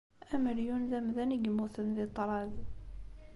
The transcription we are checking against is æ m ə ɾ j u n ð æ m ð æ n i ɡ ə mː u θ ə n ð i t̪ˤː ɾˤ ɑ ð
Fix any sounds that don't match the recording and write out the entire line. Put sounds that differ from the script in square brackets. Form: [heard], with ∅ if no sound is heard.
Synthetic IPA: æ m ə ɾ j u n ð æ m ð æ n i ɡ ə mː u θ ə n ð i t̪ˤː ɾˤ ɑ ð